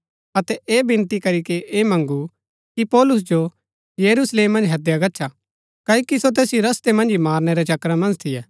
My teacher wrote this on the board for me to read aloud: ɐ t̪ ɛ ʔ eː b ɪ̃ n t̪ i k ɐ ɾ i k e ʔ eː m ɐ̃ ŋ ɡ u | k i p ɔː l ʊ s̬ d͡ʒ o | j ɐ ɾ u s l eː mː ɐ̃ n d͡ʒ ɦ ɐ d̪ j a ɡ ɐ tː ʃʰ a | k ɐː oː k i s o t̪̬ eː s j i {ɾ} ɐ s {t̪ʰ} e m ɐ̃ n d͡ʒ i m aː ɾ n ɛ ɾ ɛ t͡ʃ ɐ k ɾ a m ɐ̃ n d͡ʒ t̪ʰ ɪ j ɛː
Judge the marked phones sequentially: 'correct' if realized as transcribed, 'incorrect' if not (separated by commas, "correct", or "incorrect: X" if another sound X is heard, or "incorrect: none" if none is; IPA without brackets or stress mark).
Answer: correct, incorrect: t̪